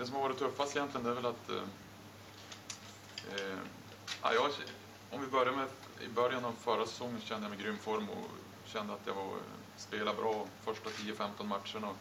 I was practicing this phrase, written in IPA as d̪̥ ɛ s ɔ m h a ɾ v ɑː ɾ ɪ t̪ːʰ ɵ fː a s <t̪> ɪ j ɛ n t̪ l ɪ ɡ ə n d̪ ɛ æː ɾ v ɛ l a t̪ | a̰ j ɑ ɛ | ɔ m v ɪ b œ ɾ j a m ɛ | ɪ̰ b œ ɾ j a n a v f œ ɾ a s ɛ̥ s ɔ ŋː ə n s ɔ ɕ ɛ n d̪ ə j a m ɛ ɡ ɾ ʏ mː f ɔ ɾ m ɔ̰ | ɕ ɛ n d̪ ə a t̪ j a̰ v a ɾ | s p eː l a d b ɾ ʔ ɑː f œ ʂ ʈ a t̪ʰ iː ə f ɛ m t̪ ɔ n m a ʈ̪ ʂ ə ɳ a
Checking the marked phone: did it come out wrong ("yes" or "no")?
no